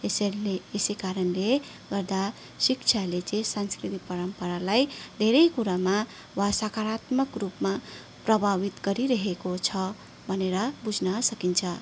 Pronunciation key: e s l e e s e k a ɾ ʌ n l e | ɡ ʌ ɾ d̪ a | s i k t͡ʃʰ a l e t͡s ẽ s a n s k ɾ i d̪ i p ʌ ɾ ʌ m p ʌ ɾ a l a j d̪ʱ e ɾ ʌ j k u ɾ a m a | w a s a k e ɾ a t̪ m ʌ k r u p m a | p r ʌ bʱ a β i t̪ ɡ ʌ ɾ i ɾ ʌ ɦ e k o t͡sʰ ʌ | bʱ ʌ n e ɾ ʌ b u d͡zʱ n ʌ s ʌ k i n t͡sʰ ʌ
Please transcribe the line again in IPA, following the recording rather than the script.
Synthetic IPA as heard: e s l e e s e k a ɾ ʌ n l e | ɡ ʌ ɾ d̪ a | s i k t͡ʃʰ a l e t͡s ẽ s a n s k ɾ i t̪ i p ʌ ɾ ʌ m p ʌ ɾ a l a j d̪ʱ e ɾ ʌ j k u ɾ a m a | w a s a k a ɾ a t̪ m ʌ k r u p m a | p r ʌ bʱ a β i t̪ ɡ ʌ ɾ i ɾ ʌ ɦ e k o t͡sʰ ʌ | bʱ ʌ n e ɾ ʌ b u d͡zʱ n ʌ s ʌ k i n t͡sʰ ʌ